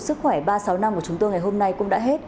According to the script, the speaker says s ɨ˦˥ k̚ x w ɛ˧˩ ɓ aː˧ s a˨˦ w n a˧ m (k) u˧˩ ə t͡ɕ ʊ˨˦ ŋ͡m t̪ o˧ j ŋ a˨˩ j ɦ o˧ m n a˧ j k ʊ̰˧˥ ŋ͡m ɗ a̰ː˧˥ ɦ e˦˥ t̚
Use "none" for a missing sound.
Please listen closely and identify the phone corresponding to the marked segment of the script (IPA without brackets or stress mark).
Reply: k